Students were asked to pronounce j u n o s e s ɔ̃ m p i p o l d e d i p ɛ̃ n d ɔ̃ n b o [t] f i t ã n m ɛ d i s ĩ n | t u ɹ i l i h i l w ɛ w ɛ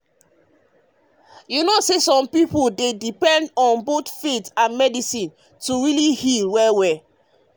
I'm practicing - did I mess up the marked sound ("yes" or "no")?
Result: no